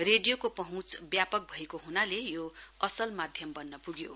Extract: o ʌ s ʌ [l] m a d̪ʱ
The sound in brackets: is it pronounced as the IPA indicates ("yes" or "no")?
yes